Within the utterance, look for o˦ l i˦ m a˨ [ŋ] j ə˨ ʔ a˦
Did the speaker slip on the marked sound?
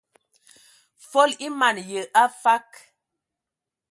yes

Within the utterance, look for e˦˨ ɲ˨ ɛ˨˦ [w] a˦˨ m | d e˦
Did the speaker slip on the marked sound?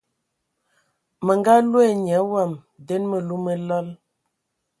no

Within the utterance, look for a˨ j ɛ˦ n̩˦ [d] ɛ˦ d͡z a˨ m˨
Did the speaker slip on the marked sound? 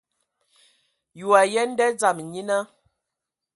no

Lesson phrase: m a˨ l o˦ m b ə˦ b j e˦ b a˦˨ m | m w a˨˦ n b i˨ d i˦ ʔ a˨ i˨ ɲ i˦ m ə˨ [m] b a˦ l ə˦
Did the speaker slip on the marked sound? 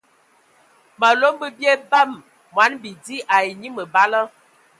yes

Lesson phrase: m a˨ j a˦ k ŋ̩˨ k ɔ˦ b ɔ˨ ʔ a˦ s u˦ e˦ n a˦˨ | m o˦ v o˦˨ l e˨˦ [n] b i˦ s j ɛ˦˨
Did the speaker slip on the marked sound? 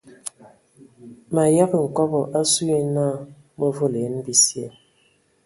no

